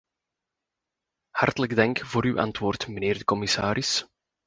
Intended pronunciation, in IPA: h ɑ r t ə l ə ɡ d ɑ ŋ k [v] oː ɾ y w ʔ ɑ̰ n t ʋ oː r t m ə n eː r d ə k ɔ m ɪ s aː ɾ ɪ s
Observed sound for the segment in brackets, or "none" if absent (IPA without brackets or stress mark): v